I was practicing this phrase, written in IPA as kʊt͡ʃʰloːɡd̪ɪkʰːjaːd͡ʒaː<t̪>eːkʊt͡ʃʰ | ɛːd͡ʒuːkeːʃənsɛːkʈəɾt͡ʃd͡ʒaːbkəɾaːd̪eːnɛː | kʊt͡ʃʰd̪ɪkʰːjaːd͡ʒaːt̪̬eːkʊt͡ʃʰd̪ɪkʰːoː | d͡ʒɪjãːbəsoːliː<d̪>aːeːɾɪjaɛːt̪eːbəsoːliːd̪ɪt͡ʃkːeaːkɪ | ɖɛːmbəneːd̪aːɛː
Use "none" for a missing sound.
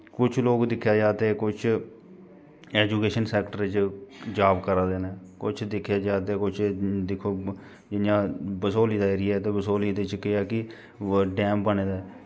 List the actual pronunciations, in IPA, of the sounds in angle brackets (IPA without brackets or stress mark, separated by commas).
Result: t̪, d̪